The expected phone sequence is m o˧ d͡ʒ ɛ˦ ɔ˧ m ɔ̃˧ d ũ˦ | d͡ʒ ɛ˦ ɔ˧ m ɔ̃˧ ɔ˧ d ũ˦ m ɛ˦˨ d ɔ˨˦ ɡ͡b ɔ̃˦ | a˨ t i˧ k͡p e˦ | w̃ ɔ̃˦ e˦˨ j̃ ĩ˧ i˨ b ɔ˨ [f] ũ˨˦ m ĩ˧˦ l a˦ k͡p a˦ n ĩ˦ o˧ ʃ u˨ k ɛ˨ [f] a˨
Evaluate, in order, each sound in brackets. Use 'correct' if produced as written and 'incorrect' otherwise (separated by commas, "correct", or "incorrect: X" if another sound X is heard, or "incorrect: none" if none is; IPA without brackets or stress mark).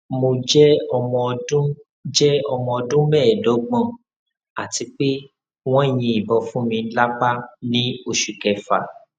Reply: correct, correct